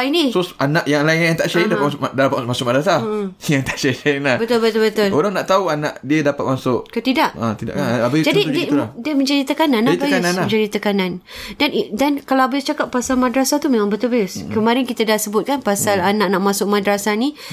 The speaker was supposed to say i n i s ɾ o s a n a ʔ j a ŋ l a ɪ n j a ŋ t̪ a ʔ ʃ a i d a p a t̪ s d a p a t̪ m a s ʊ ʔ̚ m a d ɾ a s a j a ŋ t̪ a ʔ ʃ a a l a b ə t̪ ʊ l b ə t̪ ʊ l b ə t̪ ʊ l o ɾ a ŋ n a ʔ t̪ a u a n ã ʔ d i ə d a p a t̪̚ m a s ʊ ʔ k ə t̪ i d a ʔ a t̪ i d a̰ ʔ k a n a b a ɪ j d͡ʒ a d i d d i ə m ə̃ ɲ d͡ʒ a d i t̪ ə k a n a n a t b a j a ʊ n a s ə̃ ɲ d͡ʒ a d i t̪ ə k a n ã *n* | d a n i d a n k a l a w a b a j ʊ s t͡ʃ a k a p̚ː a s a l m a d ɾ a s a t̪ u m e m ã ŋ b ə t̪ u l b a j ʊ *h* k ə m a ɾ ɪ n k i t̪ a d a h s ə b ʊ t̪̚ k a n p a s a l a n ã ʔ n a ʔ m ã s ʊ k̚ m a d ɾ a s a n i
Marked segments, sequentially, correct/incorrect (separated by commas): correct, incorrect